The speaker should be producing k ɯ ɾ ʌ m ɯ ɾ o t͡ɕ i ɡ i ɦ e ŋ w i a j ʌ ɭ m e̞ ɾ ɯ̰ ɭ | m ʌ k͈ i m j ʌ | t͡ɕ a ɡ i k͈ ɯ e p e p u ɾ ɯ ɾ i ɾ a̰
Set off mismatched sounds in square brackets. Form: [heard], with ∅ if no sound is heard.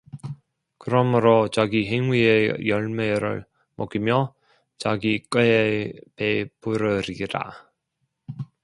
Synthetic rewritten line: k ɯ ɾ ʌ m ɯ ɾ o t͡ɕ [a] ɡ i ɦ e ŋ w i [e] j ʌ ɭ m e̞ ɾ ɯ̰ ɭ | m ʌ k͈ i m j ʌ | t͡ɕ a ɡ i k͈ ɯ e p e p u ɾ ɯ ɾ i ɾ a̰